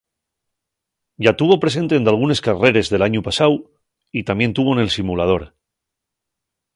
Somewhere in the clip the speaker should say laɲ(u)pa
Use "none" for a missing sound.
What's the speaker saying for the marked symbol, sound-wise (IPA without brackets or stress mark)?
u